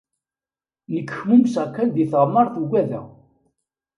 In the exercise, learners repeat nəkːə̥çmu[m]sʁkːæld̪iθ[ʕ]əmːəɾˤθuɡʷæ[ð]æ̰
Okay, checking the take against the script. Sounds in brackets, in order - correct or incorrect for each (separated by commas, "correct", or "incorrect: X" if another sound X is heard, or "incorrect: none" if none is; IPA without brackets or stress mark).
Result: correct, incorrect: ʁ, correct